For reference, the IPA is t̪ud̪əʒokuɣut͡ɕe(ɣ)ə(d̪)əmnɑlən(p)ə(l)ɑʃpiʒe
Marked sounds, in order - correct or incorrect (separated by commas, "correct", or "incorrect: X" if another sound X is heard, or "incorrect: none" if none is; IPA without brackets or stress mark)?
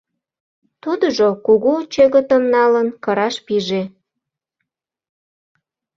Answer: correct, incorrect: t̪, incorrect: k, incorrect: ɾ